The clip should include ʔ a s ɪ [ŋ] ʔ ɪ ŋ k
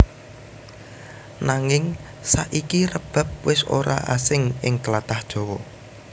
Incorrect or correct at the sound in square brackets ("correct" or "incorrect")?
correct